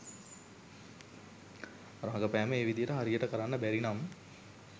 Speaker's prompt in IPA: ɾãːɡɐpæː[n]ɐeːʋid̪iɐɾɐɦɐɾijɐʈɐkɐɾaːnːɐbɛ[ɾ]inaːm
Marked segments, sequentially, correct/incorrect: incorrect, correct

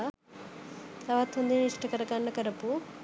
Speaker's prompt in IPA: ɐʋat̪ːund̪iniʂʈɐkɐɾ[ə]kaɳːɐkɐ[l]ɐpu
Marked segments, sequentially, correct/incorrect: incorrect, incorrect

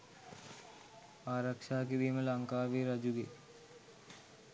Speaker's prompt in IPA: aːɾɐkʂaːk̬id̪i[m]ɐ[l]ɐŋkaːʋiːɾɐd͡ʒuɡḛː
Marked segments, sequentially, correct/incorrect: correct, correct

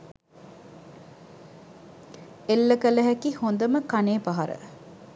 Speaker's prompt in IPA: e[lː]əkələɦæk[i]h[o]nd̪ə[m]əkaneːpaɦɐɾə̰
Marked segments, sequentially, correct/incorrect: correct, correct, correct, correct

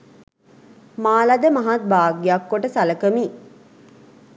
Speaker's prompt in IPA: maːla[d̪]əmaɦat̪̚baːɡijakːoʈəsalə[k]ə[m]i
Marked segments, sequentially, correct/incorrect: correct, correct, correct

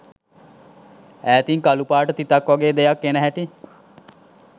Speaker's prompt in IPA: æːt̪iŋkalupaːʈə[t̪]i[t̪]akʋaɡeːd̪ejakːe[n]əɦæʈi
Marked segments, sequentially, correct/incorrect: correct, correct, correct

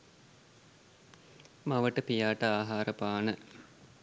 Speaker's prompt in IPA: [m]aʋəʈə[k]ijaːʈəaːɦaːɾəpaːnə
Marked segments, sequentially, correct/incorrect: correct, incorrect

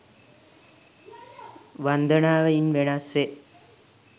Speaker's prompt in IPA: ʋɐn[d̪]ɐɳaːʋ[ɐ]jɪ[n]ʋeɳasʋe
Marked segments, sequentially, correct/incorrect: correct, correct, correct

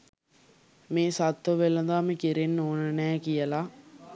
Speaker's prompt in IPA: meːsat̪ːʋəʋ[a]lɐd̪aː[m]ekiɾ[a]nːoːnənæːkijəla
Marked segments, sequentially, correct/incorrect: incorrect, correct, incorrect

